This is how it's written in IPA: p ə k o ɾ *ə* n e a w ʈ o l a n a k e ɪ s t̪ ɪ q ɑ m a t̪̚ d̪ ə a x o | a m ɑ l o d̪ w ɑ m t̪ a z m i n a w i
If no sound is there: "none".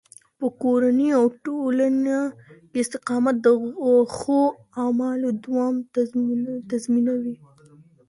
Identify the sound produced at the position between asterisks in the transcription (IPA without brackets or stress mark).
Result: a